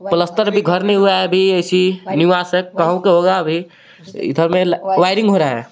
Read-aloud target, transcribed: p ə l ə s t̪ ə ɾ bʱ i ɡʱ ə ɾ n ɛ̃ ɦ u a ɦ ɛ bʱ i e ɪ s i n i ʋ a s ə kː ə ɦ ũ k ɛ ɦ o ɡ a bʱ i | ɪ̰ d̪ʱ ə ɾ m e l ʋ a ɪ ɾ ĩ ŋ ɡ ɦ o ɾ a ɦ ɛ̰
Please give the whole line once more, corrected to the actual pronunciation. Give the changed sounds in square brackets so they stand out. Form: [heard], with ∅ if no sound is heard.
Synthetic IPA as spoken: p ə l ə s t̪ ə ɾ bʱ i ɡʱ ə ɾ n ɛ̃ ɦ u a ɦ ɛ bʱ i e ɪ s i n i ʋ a s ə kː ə ɦ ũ k [e] ɦ o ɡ a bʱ i | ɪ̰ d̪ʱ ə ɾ m e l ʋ a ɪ ɾ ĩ ŋ ɡ ɦ o ɾ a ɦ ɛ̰